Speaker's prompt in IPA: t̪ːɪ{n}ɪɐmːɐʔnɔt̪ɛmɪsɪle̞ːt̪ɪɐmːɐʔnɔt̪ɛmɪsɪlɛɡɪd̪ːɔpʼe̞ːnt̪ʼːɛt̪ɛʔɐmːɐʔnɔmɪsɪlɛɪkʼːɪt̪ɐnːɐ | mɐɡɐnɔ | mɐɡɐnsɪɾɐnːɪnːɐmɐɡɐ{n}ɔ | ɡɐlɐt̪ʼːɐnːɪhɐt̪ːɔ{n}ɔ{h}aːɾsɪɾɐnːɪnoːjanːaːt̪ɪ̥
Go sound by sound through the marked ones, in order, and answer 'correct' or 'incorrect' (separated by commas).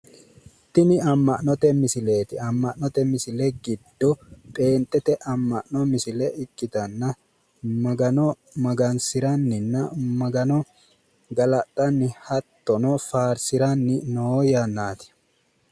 correct, correct, correct, incorrect